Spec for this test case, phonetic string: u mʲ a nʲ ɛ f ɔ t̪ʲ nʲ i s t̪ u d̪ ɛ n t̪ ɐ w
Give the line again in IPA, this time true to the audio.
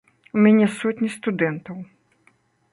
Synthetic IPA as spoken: u mʲ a nʲ ɛ s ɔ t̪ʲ nʲ i s t̪ u d̪ ɛ n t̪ ɐ w